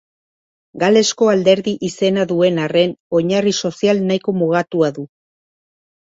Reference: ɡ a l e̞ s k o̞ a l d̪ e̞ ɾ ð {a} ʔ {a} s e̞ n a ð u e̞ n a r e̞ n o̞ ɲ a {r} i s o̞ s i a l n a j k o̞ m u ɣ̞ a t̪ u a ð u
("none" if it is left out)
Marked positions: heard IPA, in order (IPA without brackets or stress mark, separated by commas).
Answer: i, i, r